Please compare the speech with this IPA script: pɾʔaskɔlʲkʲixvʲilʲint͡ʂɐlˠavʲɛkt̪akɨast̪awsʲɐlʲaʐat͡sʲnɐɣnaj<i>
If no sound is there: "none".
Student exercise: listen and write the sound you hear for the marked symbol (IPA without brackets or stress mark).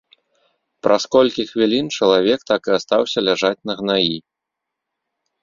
i